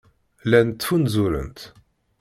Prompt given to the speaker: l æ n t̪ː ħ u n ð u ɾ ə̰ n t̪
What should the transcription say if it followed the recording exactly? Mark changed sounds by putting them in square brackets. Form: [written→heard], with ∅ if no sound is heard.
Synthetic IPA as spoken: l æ n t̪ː [ħ→f] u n [ð→z] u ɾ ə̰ n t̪